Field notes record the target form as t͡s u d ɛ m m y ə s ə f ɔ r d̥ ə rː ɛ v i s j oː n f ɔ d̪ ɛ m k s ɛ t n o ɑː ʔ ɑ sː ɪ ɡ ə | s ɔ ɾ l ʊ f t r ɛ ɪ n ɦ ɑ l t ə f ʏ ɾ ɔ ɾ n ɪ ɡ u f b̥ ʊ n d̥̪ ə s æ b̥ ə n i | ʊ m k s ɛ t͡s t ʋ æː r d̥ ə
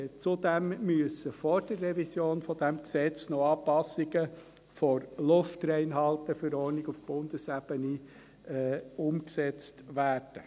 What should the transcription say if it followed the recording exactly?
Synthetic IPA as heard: t͡s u d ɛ m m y ə s ə f ɔ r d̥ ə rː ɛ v i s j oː n f ɔ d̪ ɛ m k s ɛ t͡s n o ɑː p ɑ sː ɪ ɡ ə | f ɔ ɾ l ʊ f t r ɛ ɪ n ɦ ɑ l t ə f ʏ ɾ ɔ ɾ n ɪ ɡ u f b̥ ʊ n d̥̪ ə s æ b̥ ə n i | ʊ m k s ɛ t͡s t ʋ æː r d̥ ə